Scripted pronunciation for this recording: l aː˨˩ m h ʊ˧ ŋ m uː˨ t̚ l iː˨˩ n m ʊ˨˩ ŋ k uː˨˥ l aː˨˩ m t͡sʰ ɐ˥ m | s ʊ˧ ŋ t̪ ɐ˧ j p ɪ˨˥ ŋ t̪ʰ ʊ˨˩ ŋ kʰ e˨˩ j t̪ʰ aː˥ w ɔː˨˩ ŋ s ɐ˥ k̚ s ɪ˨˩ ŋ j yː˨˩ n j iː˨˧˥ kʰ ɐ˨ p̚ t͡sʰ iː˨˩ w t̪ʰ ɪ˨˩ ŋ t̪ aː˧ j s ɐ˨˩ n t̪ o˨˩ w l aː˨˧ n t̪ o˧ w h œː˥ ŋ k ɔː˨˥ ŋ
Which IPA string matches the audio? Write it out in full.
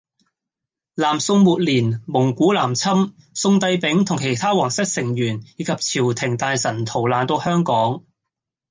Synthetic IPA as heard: l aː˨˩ m s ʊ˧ ŋ m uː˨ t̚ l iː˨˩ n m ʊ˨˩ ŋ k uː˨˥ l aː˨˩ m t͡sʰ ɐ˥ m | s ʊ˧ ŋ t̪ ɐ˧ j p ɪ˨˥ ŋ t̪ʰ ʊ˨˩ ŋ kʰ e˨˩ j t̪ʰ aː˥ w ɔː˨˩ ŋ s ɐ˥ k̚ s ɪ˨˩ ŋ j yː˨˩ n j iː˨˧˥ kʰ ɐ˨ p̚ t͡sʰ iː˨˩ w t̪ʰ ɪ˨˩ ŋ t̪ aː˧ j s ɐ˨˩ n t̪ʰ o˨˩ w l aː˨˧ n t̪ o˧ w h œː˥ ŋ k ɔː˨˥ ŋ